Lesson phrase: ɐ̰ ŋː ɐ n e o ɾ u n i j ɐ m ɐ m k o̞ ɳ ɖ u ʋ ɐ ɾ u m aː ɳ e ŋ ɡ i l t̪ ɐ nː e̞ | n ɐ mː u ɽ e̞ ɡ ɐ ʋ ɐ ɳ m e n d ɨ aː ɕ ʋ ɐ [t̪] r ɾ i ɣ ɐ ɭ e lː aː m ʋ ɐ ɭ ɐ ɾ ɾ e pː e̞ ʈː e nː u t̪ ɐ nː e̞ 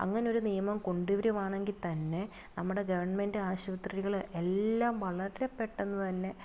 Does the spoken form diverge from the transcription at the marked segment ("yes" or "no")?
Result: no